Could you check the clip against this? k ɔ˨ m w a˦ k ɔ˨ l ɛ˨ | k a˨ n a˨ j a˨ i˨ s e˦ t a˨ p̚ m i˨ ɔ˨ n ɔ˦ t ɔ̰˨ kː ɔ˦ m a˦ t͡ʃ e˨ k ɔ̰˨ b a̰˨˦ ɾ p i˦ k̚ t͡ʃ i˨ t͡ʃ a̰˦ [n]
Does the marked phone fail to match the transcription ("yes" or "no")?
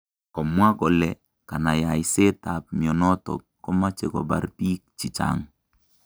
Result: yes